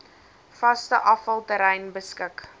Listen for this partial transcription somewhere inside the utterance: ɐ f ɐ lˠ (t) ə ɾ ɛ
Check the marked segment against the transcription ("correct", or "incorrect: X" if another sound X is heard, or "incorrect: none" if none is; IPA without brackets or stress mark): correct